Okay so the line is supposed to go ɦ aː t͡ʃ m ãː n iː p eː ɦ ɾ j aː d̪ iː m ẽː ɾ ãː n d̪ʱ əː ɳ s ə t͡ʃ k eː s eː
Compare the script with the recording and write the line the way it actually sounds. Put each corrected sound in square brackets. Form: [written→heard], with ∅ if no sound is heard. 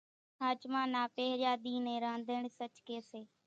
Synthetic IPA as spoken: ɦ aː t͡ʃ m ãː n [iː→aː] p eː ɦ ɾ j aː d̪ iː [m→n] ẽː ɾ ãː n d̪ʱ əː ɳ s ə t͡ʃ k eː s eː